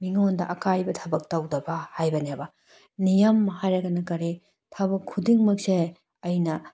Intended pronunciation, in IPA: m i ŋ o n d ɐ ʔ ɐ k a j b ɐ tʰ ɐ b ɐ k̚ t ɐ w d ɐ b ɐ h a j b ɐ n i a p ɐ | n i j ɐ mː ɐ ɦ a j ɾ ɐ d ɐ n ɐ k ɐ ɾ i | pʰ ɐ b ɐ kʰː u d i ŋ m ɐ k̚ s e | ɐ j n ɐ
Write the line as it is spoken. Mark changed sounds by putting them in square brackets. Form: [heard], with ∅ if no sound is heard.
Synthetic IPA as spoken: m i ŋ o n d ɐ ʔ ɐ k a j b ɐ tʰ ɐ b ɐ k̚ t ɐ w d ɐ b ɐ h a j b ɐ n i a [b] ɐ | n i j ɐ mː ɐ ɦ a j ɾ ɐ [ɡ] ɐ n ɐ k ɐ ɾ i | [tʰ] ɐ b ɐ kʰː u d i ŋ m ɐ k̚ s e | ɐ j n ɐ

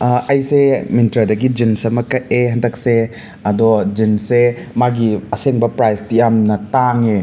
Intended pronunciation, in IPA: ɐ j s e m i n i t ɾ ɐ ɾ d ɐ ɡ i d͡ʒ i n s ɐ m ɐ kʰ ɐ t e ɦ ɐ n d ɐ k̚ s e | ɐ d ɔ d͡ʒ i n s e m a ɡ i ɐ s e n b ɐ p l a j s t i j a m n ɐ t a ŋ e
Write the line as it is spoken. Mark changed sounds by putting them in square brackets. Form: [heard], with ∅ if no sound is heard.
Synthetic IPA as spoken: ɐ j s e m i n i t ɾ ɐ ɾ d ɐ ɡ i d͡ʒ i n s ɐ m ɐ [k] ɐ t e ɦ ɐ n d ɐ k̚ s e | ɐ d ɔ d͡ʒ i n s e m a ɡ i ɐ s e [ŋ] b ɐ p [ɾ] a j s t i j a m n ɐ t a ŋ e

